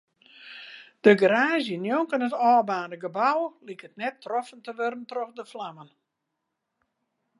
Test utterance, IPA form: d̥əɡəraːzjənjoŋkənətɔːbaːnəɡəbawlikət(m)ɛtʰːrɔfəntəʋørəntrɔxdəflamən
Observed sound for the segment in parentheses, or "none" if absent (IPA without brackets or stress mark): n